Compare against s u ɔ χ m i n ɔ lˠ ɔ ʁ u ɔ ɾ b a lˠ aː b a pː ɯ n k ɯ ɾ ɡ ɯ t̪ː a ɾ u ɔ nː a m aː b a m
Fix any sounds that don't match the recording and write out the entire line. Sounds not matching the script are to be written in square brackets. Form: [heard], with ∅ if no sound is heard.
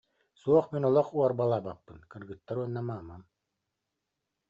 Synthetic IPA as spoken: s u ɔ χ m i n ɔ lˠ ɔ [χ] u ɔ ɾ b a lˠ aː b a pː ɯ n k ɯ ɾ ɡ ɯ t̪ː a ɾ u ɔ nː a m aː [m] a m

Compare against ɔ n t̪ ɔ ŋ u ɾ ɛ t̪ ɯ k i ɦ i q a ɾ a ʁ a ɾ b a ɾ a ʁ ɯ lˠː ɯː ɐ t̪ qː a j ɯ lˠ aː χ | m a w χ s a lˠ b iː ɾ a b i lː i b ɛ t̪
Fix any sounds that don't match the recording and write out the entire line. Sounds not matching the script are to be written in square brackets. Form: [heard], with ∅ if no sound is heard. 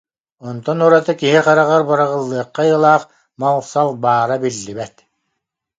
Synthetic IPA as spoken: ɔ n t̪ ɔ [n] u ɾ [a] t̪ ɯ k i ɦ i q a ɾ a ʁ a ɾ b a ɾ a ʁ ɯ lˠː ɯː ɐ [∅] qː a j ɯ lˠ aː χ | m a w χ s a lˠ b [aː] ɾ a b i lː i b ɛ t̪

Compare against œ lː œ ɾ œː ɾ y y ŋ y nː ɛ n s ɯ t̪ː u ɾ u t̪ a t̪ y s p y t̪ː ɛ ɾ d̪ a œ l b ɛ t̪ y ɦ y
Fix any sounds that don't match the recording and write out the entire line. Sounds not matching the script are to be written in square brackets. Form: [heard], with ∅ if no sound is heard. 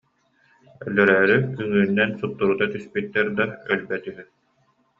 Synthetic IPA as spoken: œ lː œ ɾ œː ɾ y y ŋ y nː ɛ n s [u] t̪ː u ɾ u t̪ a t̪ y s p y t̪ː ɛ ɾ d̪ a œ l b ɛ t̪ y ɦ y

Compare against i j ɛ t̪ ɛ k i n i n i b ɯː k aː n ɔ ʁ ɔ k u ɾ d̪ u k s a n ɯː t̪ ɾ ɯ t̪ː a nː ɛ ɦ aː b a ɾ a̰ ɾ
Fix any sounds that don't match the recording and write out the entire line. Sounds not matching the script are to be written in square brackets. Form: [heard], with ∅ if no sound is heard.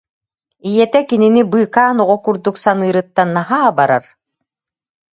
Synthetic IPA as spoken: i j ɛ t̪ ɛ k i n i n i b ɯː k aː n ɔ ʁ ɔ k u ɾ d̪ u k s a n ɯː [∅] ɾ ɯ t̪ː a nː [a] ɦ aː b a ɾ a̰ ɾ

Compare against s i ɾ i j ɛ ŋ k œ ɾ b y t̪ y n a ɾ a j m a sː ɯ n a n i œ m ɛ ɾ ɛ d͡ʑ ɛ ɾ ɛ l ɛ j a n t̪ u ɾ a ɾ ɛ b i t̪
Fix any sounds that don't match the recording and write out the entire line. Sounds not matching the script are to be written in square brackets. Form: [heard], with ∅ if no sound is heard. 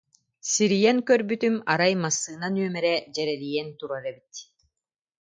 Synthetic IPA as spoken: s i ɾ i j ɛ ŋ k œ ɾ b y t̪ y [m] a ɾ a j m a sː [ɯː] n a n [y] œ m ɛ ɾ ɛ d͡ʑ ɛ ɾ ɛ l [i] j [ɛ] n t̪ u ɾ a ɾ ɛ b i t̪

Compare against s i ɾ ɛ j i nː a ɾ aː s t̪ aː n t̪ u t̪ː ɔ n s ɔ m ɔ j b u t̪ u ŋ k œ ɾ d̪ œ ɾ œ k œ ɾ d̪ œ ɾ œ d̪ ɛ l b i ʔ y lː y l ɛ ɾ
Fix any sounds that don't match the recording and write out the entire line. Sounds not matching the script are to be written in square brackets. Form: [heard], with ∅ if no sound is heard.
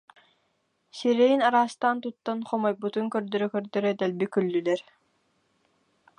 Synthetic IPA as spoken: s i ɾ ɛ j i [n] a ɾ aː s t̪ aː n t̪ u t̪ː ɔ n [χ] ɔ m ɔ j b u t̪ u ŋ k œ ɾ d̪ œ ɾ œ k œ ɾ d̪ œ ɾ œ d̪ ɛ l b i [k] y lː y l ɛ ɾ

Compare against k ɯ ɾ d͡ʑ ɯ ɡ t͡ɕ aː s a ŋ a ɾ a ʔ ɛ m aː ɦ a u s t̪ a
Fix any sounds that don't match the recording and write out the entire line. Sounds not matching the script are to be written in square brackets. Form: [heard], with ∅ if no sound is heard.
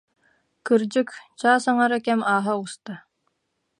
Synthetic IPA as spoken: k ɯ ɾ d͡ʑ ɯ [k] t͡ɕ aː s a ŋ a ɾ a [k] ɛ m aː ɦ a u s t̪ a

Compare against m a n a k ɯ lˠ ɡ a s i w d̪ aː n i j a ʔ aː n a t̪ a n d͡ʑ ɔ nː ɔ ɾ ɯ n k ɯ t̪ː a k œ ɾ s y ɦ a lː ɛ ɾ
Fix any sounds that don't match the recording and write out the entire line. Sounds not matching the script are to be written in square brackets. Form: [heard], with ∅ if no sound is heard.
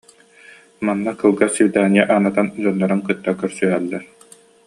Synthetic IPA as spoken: m a [nː] a k ɯ lˠ ɡ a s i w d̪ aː n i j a ʔ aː n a t̪ a n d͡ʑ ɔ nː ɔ ɾ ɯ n k ɯ t̪ː a k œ ɾ s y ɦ [ɛ] lː ɛ ɾ

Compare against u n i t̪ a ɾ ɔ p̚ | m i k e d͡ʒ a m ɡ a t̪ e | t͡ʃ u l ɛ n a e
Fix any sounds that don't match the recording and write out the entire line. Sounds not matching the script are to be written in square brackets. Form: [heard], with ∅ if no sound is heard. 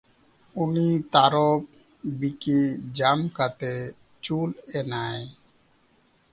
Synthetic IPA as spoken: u n i t̪ a ɾ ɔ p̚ | [b] i k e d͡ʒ a m [k] a t̪ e | t͡ʃ u l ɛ n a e

